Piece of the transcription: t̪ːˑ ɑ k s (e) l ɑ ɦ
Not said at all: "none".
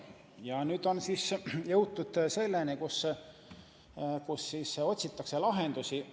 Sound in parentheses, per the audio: e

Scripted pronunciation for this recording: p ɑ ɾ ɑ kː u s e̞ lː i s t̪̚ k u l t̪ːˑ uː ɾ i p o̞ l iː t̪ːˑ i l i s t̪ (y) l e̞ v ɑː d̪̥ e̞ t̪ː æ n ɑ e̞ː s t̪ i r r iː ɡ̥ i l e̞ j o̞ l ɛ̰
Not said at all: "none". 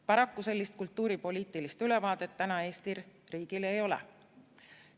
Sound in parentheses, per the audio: y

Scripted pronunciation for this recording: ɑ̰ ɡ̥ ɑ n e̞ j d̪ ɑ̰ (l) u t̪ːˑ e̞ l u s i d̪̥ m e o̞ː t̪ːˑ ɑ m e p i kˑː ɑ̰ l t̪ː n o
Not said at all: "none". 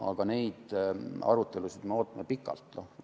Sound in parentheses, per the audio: ɾ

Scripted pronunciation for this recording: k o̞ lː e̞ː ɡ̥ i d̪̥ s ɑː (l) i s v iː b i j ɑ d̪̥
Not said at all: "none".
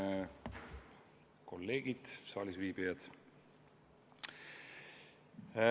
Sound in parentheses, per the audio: l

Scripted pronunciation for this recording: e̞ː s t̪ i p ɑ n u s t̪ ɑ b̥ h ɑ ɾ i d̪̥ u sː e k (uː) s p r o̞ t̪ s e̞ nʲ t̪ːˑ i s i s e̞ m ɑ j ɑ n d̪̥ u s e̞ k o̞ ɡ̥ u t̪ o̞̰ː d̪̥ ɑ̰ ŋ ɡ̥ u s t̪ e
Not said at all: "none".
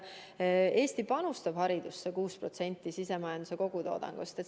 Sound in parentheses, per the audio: uː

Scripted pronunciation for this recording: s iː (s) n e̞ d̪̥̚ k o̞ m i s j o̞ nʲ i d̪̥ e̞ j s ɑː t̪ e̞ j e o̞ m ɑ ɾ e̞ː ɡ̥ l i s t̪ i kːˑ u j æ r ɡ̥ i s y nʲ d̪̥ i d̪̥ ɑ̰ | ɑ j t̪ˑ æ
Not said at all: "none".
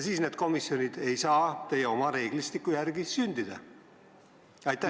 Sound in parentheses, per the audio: s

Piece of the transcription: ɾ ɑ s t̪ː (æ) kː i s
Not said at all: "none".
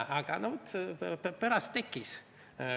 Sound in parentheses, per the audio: e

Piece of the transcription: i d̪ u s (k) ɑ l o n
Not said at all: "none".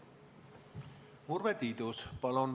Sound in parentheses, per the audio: p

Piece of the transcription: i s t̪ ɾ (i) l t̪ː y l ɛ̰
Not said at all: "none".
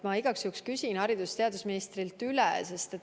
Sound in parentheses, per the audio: i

